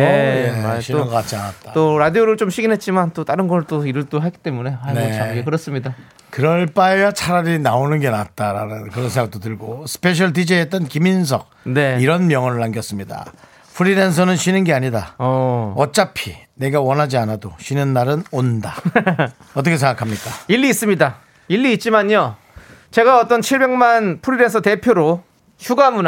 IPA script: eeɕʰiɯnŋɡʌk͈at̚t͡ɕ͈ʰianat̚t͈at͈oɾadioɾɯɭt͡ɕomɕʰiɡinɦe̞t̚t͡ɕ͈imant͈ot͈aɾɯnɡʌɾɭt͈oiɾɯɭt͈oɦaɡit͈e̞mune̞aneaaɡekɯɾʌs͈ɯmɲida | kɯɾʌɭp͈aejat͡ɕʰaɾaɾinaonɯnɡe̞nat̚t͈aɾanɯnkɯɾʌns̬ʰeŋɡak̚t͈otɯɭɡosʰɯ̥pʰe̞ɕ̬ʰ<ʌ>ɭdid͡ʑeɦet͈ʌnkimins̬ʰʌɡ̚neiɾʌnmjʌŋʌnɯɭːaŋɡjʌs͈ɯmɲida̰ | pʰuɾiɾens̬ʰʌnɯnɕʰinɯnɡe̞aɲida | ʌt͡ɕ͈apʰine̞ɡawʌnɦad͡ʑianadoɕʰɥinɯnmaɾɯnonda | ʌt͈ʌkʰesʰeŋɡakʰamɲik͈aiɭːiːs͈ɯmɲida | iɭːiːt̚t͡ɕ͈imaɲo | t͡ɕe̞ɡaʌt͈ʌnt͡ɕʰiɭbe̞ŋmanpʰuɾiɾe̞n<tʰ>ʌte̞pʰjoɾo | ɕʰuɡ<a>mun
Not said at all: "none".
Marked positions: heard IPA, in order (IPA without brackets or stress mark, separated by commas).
ʌ, sʰ, a